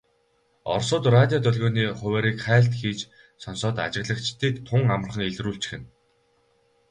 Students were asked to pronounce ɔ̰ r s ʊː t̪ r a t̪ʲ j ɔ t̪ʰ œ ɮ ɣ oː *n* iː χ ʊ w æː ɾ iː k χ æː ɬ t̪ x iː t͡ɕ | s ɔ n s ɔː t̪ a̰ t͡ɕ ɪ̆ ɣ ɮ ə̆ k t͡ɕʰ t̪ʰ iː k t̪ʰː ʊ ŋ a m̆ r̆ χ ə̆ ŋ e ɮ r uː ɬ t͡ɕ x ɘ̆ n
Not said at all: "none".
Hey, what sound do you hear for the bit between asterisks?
n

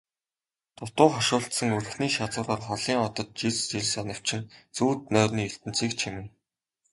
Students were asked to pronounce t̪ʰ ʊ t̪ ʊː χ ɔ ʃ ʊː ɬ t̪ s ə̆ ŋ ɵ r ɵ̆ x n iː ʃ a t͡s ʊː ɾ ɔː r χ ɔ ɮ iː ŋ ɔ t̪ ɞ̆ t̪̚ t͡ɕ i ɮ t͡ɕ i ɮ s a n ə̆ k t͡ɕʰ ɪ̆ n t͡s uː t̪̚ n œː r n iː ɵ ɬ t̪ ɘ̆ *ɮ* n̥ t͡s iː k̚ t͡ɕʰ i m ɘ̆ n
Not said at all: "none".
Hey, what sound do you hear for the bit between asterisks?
none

